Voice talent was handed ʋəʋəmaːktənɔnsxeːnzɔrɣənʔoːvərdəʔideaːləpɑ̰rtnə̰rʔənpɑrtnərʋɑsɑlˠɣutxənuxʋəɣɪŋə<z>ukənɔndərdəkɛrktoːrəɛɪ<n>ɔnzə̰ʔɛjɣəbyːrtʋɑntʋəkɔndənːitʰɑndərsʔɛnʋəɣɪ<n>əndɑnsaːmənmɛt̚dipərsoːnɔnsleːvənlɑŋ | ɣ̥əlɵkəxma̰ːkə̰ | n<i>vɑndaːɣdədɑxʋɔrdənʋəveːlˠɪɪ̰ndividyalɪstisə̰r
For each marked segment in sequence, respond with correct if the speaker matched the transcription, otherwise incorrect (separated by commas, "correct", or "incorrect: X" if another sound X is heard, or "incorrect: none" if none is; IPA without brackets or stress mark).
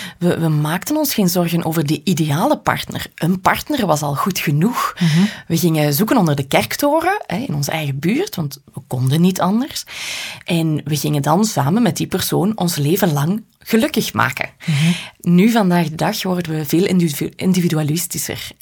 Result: correct, correct, incorrect: ŋ, incorrect: y